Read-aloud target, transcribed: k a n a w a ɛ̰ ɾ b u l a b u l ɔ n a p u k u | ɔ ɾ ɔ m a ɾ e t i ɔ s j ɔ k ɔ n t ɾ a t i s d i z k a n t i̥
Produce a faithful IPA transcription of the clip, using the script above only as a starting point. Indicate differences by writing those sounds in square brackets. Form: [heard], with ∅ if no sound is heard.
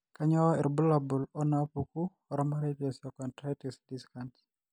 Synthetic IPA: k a [ɲ] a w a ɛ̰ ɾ b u l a b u l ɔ n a p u k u | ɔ ɾ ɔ m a ɾ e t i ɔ s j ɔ k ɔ n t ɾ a t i s d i [s] k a n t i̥